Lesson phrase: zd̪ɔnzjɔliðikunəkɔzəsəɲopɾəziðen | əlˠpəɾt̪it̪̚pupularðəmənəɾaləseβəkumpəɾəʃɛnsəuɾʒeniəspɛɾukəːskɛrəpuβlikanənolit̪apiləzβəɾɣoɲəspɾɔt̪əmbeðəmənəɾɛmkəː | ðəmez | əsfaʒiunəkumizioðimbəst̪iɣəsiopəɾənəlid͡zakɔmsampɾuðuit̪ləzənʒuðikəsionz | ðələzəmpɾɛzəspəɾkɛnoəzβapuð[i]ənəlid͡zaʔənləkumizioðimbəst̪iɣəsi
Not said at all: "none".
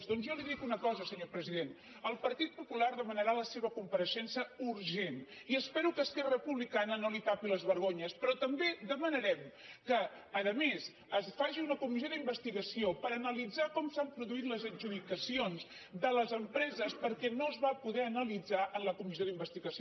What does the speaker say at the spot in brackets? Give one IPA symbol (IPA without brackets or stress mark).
ɛ